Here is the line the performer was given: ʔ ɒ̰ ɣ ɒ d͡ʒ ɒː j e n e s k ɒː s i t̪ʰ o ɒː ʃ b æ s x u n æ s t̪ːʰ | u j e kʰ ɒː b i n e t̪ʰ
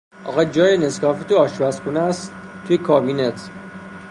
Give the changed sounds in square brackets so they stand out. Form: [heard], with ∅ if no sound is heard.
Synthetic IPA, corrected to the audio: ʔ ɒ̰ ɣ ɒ d͡ʒ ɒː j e n e s k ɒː [f] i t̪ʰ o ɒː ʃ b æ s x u n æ s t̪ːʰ | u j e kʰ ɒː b i n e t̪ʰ